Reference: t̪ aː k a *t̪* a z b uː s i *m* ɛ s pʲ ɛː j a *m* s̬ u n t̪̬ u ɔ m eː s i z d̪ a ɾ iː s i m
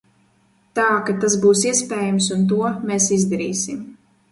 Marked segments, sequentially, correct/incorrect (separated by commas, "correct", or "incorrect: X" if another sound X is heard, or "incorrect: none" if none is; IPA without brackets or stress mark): correct, incorrect: none, correct